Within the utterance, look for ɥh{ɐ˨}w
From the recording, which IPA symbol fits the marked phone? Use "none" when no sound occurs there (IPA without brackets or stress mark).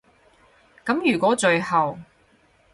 ɐ˨